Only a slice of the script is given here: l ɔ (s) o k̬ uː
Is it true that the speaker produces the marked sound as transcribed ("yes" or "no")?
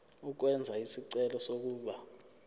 yes